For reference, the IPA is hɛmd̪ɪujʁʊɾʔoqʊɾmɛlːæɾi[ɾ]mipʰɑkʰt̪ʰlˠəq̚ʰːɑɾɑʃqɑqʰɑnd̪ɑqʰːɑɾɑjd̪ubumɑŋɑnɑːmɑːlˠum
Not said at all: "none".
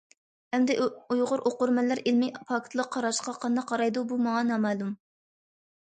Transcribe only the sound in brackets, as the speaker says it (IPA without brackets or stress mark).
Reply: l